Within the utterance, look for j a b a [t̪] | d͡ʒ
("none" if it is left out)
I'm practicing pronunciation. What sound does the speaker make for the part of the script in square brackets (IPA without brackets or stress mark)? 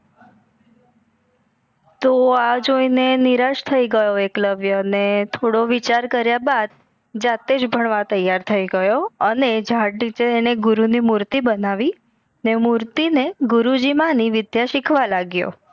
d̪